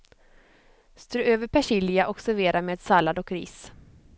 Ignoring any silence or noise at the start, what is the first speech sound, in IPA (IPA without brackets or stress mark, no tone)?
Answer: s